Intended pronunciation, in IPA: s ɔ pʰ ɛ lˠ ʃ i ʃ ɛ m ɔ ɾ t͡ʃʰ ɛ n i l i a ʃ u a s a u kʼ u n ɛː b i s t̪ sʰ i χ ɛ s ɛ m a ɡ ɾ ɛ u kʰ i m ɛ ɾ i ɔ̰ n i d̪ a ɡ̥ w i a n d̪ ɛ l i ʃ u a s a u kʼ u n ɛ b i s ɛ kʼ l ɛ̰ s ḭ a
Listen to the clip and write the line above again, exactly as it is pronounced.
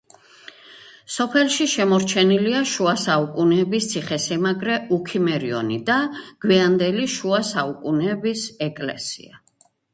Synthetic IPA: s ɔ pʰ ɛ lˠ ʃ i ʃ ɛ m ɔ ɾ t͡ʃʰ ɛ n i l i a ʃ u a s a u kʼ u n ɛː b i s t̪ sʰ i χ ɛ s ɛ m a ɡ ɾ ɛ u kʰ i m ɛ ɾ i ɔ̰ n i d̪ a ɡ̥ w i a n d̪ ɛ l i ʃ u a s a u kʼ u n ɛ b i s ɛ kʼ l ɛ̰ s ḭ a